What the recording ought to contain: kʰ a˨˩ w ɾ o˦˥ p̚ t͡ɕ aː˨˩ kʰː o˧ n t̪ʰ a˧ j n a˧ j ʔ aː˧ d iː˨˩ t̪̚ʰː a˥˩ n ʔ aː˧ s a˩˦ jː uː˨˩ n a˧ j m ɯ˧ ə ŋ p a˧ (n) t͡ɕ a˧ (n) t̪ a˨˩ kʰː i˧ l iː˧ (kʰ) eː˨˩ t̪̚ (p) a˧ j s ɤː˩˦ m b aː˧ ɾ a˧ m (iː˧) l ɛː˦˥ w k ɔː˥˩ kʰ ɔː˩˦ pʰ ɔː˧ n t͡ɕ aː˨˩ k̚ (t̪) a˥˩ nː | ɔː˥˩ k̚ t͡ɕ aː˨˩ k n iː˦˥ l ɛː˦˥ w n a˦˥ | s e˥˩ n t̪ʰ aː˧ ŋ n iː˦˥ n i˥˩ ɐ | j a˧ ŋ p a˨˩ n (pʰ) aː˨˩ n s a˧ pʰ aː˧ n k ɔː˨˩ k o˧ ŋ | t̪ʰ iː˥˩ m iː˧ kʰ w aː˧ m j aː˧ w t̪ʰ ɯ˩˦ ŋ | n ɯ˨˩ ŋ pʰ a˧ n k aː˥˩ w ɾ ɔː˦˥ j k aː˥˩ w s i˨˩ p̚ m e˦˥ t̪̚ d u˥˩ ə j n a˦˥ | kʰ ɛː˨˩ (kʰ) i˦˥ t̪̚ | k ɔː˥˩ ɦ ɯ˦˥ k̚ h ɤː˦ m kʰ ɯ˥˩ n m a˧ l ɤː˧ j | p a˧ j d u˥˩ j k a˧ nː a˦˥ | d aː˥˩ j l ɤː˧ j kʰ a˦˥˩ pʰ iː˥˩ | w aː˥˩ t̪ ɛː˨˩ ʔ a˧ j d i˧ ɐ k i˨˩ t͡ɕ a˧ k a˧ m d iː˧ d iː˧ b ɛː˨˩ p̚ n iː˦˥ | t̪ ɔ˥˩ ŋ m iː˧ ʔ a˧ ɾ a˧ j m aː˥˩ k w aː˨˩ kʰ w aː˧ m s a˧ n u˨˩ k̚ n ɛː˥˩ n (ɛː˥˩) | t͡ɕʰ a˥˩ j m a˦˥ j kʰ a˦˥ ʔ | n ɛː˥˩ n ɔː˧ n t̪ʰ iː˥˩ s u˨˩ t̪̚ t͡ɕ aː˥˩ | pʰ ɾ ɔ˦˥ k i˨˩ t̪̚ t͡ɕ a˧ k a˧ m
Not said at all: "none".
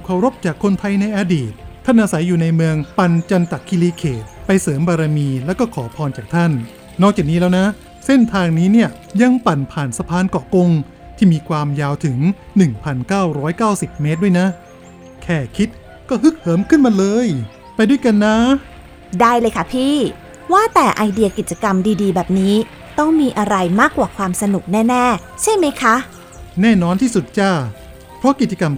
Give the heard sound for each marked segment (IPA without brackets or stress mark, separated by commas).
n, n, kʰ, p, iː˧, t̪ʰ, pʰ, kʰ, ɛː˥˩